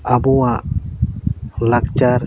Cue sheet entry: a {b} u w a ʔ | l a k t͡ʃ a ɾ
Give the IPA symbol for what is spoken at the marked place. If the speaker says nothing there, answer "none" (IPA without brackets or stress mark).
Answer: b